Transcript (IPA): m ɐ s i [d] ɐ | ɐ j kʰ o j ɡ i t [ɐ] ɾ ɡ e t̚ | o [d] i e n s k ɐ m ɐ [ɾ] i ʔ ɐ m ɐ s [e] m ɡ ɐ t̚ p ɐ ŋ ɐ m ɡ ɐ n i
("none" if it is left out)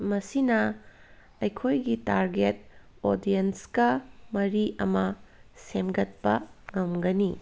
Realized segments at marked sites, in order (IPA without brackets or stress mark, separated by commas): n, a, d, ɾ, e